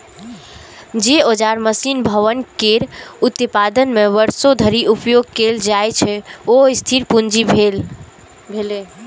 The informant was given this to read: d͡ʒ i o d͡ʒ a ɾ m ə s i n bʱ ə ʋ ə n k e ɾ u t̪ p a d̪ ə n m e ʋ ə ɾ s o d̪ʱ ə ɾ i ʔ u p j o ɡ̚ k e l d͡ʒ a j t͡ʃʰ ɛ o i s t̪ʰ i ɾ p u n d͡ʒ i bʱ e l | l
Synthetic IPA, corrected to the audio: d͡ʒ e o d͡ʒ a ɾ m ə s i n bʱ ə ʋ ə n k e ɾ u t̪ p a d̪ ə n m e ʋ ə ɾ s o d̪ʱ ə ɾ i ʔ u p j o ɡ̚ k e l d͡ʒ a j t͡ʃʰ ɛ o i s t̪ʰ i ɾ p u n d͡ʒ i bʱ e l | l